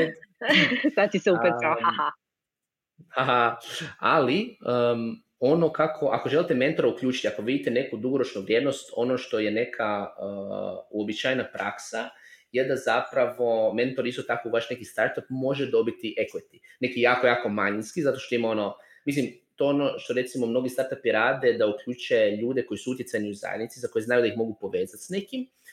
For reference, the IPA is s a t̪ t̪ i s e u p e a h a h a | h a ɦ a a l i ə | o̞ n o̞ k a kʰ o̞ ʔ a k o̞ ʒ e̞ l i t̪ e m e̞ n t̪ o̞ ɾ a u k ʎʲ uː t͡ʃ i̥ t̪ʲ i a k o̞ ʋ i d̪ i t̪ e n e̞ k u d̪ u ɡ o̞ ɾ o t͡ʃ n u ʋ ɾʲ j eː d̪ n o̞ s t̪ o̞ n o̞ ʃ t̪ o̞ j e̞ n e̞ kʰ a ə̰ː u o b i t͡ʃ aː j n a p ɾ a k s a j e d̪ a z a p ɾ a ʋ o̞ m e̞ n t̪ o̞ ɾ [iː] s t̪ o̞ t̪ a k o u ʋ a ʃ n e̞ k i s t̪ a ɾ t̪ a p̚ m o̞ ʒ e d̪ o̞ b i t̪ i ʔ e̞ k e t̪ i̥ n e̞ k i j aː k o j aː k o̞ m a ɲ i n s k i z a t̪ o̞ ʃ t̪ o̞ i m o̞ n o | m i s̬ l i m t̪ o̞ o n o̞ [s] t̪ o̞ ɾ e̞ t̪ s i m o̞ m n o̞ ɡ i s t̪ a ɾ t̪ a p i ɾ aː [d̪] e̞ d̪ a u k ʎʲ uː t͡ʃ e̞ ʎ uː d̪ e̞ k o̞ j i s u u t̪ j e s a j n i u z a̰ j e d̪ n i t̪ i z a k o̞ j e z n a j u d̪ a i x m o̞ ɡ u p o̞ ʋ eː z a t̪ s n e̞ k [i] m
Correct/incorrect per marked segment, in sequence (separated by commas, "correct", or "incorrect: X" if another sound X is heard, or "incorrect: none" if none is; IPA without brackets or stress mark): incorrect: i, incorrect: ʃ, correct, correct